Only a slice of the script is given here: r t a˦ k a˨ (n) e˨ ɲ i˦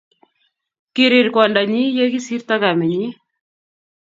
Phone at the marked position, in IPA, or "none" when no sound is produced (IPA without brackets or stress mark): m